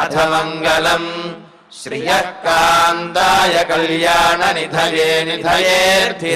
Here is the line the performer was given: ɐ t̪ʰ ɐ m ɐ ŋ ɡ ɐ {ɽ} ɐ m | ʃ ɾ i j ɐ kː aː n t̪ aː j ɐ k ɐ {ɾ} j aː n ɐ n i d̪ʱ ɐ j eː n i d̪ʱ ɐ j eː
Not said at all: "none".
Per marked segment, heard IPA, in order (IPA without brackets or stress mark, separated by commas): l, l